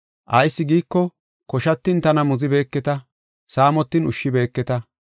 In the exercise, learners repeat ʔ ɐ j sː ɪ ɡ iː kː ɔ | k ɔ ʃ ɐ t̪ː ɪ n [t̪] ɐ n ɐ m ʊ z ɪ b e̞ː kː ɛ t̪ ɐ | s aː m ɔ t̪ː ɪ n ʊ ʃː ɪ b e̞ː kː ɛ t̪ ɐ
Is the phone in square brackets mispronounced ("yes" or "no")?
no